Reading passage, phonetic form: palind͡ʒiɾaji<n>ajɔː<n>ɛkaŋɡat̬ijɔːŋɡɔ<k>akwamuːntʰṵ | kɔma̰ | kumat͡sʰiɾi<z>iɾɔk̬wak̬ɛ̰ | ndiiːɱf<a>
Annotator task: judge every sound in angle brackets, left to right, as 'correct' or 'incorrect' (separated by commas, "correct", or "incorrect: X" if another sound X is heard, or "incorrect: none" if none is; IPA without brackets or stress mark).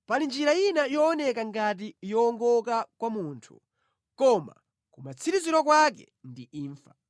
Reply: correct, correct, correct, correct, correct